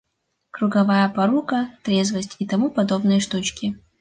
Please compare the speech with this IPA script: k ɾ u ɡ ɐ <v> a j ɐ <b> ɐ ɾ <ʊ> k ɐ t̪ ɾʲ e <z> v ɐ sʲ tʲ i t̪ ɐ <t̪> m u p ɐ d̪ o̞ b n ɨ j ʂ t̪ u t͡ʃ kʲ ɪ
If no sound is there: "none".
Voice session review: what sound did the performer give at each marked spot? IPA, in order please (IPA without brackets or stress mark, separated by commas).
v, p, u, z, none